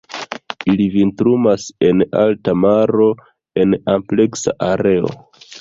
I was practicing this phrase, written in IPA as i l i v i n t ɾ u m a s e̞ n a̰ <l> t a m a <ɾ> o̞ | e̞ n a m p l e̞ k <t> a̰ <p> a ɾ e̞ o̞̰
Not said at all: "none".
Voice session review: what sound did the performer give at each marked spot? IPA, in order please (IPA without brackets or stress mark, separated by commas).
l, ɾ, s, ʔ